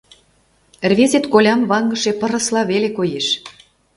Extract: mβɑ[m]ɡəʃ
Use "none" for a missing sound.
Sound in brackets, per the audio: ŋ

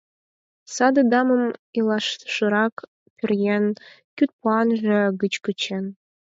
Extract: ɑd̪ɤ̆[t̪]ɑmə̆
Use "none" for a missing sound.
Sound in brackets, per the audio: d̪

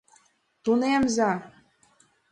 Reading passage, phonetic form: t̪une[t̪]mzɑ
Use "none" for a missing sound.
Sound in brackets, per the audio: none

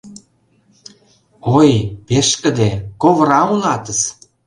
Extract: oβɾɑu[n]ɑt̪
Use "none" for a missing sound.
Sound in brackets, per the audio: n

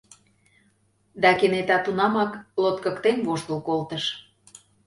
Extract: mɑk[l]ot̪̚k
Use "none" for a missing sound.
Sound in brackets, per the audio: l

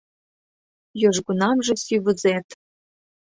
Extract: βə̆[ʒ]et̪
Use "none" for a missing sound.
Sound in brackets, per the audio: z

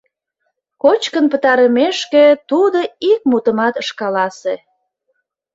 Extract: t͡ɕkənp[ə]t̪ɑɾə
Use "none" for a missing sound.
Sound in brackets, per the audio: ə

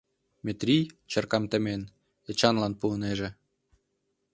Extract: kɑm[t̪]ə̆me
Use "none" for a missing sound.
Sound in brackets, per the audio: t̪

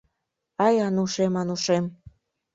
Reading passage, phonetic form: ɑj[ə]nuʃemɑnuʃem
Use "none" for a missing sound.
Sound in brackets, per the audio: ɑ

